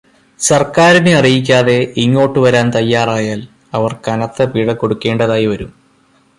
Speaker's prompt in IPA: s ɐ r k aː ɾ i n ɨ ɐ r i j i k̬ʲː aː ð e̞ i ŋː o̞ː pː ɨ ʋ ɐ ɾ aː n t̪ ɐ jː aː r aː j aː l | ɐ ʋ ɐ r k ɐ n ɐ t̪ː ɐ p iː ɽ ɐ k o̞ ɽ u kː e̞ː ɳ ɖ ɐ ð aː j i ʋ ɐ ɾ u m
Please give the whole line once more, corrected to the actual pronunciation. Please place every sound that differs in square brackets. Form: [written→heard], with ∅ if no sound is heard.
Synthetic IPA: s ɐ r k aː ɾ i n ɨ ɐ r i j i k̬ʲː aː ð e̞ i ŋː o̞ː [pː→ʈː] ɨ ʋ ɐ ɾ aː n t̪ ɐ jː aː r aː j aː l | ɐ ʋ ɐ r k ɐ n ɐ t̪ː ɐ p iː ɽ ɐ k o̞ ɽ u kː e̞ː ɳ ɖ ɐ ð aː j i ʋ ɐ ɾ u m

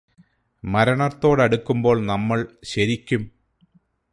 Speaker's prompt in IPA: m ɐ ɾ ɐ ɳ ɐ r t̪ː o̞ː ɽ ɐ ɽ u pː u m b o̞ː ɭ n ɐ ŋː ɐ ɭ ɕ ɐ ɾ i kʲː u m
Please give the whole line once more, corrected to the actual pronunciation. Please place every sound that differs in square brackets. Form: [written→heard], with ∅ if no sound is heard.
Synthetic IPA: m ɐ ɾ ɐ ɳ ɐ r t̪ː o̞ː ɽ ɐ ɽ u [pː→kː] u m b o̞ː ɭ n ɐ [ŋː→mː] ɐ ɭ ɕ ɐ ɾ i kʲː u m

